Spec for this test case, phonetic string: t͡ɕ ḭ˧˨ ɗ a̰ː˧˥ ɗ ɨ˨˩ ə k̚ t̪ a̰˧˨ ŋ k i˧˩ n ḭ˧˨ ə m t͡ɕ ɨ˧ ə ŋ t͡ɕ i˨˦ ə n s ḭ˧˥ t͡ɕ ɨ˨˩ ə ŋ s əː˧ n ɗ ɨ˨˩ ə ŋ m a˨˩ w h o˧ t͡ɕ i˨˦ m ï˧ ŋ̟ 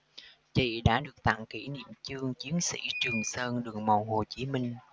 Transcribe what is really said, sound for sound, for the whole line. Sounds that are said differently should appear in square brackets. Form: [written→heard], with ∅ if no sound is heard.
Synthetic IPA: t͡ɕ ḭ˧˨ ɗ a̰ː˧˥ ɗ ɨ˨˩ ə k̚ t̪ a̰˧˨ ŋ k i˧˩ n ḭ˧˨ ə m t͡ɕ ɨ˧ ə ŋ t͡ɕ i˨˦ ə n s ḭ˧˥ t͡ɕ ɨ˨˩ ə ŋ s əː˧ n ɗ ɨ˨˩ ə ŋ m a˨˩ w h [o˧→o˨˩] t͡ɕ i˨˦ m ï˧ ŋ̟

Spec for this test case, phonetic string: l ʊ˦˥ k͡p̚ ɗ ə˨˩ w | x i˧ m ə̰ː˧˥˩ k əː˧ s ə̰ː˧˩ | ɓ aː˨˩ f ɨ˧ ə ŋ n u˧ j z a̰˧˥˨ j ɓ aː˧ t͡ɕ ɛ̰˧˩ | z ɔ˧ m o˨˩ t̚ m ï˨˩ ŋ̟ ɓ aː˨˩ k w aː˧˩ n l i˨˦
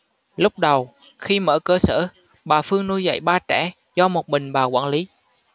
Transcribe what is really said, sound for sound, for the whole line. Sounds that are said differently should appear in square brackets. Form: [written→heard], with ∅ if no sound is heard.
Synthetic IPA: l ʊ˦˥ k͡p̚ ɗ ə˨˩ w | x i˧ m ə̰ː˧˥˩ k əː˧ s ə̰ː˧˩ | ɓ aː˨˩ f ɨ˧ ə ŋ n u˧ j z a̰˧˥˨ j ɓ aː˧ t͡ɕ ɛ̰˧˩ | z ɔ˧ m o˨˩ t̚ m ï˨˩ ŋ̟ ɓ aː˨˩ k w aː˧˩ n l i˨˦

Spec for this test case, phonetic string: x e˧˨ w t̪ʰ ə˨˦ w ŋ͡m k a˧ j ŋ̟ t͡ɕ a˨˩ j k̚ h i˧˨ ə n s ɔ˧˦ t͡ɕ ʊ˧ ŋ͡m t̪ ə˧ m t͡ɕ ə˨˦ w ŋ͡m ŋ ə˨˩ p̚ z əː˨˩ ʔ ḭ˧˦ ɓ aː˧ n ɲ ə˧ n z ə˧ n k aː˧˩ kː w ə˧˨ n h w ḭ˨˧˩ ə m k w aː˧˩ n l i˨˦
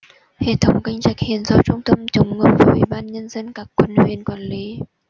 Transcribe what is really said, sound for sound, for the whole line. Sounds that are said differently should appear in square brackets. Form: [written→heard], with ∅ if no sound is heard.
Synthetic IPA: [x→h] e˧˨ [w→∅] t̪ʰ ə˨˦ w ŋ͡m k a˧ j ŋ̟ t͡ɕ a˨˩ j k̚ h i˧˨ ə n [s→z] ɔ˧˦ t͡ɕ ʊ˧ ŋ͡m t̪ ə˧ m t͡ɕ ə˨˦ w ŋ͡m ŋ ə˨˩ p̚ [z→v] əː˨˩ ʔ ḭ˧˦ ɓ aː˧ n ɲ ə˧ n z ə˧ n k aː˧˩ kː w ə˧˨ n h w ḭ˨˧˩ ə [m→n] k w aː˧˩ n l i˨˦

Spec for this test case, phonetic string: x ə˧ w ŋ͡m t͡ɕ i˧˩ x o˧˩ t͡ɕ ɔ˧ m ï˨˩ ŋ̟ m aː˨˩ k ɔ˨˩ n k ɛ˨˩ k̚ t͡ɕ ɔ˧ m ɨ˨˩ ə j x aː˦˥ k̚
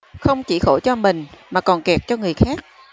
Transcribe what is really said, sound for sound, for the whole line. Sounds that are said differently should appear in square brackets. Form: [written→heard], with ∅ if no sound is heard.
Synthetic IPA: x ə˧ w ŋ͡m t͡ɕ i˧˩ x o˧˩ t͡ɕ ɔ˧ m ï˨˩ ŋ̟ m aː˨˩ k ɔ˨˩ n k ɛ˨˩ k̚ t͡ɕ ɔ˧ [m→ŋ] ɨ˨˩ ə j x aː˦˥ k̚

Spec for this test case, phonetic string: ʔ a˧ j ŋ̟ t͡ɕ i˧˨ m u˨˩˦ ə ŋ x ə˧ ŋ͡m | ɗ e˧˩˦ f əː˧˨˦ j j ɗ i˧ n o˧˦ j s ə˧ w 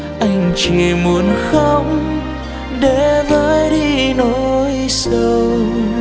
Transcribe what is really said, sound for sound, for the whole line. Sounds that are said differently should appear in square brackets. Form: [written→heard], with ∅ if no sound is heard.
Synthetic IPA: ʔ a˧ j ŋ̟ t͡ɕ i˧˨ m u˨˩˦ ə [ŋ→n] x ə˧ ŋ͡m | ɗ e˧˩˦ [f→v] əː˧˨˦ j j ɗ i˧ n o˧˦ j s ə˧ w

